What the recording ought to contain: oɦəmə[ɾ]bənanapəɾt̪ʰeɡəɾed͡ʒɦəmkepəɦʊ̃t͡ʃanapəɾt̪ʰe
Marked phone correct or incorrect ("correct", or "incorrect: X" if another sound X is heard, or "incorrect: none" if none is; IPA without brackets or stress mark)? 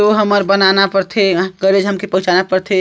correct